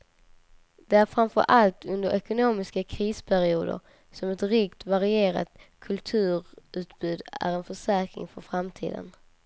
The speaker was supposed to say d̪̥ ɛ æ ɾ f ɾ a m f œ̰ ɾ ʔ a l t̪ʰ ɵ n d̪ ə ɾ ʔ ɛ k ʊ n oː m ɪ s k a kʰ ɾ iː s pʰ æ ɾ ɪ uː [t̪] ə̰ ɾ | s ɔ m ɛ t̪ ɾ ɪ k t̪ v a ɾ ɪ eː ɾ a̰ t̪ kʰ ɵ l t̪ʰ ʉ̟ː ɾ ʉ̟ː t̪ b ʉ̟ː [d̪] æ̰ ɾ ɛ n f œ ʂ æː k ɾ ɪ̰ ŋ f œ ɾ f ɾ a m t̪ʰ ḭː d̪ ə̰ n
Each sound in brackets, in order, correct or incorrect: incorrect: d̪, correct

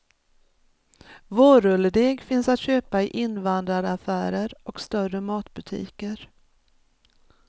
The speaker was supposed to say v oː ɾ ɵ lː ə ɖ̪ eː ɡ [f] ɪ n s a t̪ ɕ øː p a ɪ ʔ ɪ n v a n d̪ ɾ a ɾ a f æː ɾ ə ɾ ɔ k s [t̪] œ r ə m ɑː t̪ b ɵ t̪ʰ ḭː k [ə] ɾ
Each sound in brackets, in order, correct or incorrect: correct, correct, correct

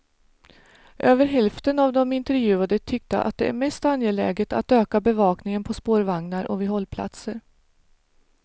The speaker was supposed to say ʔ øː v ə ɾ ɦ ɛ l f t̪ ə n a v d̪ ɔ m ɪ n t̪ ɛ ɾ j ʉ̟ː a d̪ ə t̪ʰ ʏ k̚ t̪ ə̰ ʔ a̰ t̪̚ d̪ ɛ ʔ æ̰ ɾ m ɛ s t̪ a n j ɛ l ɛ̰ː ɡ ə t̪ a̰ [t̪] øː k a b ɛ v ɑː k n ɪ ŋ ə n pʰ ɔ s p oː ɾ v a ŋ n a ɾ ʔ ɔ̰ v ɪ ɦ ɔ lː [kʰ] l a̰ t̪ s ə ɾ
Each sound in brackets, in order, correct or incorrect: correct, incorrect: pʰ

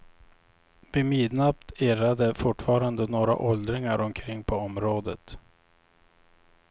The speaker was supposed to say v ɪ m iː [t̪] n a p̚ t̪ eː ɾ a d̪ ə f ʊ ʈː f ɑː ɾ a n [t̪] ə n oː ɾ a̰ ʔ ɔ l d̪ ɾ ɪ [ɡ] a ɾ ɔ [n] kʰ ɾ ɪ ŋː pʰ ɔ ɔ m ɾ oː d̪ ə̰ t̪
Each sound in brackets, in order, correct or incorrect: incorrect: d̪, incorrect: d̪, incorrect: ŋ, incorrect: m

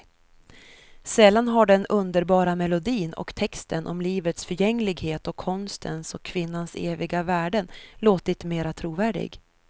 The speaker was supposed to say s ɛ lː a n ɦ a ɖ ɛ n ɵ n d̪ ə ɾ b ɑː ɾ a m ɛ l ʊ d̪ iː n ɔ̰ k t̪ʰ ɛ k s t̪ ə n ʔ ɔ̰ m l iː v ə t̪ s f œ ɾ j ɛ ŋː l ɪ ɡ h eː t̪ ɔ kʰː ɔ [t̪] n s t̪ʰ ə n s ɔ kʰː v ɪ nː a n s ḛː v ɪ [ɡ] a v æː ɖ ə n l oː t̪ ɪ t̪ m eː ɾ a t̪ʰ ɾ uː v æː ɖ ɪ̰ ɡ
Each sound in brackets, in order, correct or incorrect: incorrect: none, correct

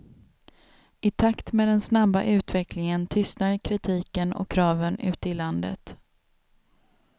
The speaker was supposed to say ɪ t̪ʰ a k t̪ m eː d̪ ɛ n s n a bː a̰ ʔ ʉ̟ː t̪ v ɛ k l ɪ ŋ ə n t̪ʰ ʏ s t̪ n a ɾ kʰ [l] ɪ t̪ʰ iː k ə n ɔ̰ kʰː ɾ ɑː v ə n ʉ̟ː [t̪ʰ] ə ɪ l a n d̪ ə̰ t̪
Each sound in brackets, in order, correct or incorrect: incorrect: ɾ, incorrect: t̪

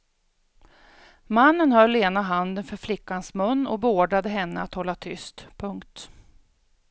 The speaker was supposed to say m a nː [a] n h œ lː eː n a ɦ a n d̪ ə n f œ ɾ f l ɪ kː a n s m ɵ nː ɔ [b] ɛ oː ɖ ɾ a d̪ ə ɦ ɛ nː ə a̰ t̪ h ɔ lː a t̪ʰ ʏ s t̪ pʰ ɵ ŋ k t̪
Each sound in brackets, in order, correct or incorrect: incorrect: ə, correct

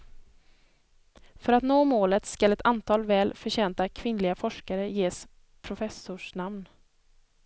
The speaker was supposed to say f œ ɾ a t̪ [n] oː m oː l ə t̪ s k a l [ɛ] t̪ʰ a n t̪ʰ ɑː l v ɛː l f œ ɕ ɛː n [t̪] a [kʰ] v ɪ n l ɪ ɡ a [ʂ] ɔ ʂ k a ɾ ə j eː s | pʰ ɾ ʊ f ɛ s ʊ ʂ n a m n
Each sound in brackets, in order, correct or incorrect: correct, correct, correct, correct, incorrect: f

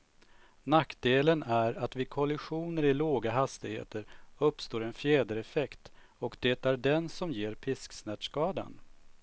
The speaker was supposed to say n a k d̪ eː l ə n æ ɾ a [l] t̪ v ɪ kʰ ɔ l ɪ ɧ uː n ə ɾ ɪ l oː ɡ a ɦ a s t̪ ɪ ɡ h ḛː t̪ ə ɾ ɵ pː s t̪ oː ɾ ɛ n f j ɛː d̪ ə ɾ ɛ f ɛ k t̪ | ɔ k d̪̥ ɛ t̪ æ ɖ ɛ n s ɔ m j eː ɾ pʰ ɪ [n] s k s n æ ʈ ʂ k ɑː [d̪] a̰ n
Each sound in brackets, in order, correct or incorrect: incorrect: none, incorrect: none, correct

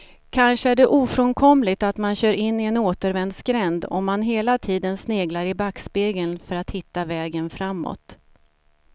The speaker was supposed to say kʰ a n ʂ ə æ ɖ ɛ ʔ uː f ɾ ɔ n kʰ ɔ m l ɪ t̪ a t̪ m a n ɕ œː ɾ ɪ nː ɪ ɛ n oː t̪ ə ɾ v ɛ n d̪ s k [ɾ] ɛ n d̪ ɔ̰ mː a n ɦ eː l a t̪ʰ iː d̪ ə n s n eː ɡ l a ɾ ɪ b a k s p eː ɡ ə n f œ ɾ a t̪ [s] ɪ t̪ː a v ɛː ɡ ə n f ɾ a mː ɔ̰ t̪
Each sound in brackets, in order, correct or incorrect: correct, incorrect: h

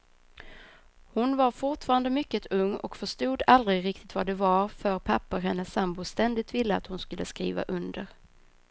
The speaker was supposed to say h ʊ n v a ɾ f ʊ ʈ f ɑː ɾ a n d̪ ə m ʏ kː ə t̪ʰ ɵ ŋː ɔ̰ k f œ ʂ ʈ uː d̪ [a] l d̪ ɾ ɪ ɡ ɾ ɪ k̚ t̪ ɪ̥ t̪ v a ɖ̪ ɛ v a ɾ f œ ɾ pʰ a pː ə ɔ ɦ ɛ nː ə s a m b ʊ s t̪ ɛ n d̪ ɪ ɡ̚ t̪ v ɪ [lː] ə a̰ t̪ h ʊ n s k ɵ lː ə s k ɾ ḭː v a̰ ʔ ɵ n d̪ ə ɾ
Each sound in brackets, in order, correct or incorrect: correct, correct

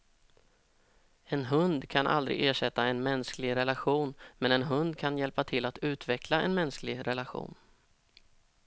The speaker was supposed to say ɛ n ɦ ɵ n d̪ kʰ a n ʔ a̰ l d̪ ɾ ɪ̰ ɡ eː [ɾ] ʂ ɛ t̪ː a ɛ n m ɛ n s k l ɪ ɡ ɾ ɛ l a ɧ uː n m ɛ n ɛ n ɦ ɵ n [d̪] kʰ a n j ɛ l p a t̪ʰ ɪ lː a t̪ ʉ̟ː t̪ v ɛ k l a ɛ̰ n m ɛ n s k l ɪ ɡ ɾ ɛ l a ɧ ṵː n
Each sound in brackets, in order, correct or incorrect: incorrect: none, correct

